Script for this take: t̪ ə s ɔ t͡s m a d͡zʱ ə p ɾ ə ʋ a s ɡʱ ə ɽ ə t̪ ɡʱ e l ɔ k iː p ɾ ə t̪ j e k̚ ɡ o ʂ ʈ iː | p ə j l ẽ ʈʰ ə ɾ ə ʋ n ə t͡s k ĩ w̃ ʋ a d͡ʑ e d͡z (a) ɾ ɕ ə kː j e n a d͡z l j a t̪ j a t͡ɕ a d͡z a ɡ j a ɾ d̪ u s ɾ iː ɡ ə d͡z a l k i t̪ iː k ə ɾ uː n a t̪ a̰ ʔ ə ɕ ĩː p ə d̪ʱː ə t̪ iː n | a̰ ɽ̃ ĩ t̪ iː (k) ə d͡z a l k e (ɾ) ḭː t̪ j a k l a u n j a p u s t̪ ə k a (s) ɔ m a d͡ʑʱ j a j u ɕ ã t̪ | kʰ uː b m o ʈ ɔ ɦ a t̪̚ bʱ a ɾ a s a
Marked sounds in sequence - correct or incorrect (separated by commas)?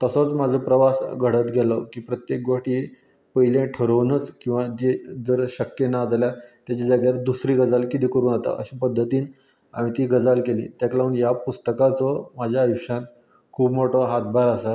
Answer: incorrect, incorrect, incorrect, incorrect